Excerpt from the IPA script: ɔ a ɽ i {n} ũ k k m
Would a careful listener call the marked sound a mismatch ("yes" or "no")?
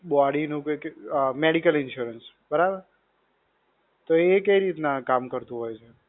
no